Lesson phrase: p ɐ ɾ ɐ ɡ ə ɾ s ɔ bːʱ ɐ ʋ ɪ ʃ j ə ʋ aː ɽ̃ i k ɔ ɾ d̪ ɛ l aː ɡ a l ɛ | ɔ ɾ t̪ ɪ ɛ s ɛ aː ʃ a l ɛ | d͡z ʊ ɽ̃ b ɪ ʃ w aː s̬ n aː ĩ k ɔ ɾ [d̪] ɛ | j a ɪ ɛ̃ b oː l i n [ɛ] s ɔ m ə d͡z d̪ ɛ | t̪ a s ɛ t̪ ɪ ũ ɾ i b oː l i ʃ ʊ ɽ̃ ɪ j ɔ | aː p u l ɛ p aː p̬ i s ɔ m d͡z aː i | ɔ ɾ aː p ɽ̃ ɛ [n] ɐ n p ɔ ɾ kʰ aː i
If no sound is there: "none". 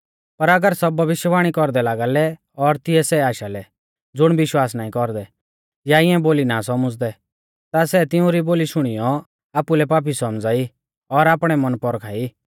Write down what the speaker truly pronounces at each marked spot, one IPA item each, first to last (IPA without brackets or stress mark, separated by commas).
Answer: d̪, a, m